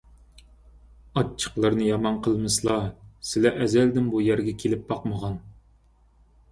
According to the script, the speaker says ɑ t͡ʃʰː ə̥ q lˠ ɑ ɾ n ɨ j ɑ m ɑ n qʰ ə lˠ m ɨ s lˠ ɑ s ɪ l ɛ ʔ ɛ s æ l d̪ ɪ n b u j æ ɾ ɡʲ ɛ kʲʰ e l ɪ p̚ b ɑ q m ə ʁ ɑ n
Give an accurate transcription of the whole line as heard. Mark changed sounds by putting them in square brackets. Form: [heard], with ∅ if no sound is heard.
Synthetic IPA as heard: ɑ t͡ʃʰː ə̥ q lˠ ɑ ɾ n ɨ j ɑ m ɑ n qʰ ə lˠ m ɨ s lˠ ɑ s ɪ l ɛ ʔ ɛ [z] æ l d̪ ɪ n b u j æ ɾ ɡʲ ɛ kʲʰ e l ɪ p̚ b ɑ q m ə ʁ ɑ n